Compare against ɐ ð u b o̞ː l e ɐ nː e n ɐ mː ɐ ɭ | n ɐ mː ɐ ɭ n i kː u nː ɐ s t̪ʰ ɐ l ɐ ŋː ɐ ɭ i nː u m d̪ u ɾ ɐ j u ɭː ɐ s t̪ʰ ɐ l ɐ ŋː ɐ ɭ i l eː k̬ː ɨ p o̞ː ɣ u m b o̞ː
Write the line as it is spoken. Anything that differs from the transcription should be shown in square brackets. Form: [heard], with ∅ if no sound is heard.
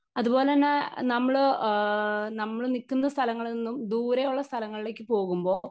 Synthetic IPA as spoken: ɐ ð u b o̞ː l e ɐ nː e n ɐ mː ɐ ɭ | n ɐ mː ɐ ɭ n i kː u nː ɐ s t̪ʰ ɐ l ɐ ŋː ɐ ɭ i nː u m d̪ [uː] ɾ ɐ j u ɭː ɐ s t̪ʰ ɐ l ɐ ŋː ɐ ɭ i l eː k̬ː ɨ p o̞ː ɣ u m b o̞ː